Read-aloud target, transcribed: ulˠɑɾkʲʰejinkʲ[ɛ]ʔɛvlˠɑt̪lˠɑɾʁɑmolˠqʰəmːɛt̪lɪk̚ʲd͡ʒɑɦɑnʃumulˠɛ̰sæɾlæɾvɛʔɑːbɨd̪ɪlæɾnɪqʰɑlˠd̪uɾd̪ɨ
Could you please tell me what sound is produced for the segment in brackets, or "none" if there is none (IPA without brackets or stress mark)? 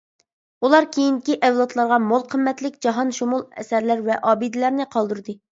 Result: i